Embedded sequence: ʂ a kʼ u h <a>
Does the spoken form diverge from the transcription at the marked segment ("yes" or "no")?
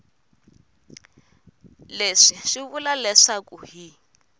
yes